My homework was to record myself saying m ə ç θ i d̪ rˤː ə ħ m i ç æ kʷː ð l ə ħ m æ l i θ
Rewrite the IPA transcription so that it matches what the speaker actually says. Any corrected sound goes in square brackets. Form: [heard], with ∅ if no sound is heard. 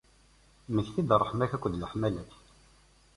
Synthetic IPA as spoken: m ə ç θ i d̪ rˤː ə ħ m [æ] ç æ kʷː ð l ə ħ m æ l [æ] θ